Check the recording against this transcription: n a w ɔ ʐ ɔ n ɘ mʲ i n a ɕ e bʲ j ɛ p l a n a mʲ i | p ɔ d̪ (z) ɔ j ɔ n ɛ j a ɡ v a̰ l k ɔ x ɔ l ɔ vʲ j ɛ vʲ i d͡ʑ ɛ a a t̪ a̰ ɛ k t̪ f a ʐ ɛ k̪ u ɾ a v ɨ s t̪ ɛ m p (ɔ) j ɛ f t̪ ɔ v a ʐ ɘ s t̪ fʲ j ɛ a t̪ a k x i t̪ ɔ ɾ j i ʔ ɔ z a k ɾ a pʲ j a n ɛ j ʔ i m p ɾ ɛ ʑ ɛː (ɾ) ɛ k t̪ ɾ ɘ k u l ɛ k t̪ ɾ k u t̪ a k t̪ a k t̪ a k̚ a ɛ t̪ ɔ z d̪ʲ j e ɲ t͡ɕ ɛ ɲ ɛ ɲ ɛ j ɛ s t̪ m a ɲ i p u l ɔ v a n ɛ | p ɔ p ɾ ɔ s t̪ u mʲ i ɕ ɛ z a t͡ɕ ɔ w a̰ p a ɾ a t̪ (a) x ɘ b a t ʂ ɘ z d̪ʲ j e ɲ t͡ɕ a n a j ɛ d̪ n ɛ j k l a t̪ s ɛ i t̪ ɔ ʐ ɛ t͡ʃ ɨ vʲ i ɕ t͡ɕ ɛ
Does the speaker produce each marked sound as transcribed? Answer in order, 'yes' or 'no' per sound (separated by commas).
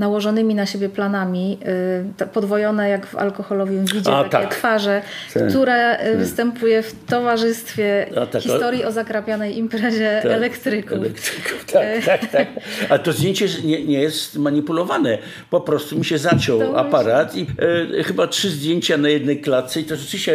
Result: no, no, no, no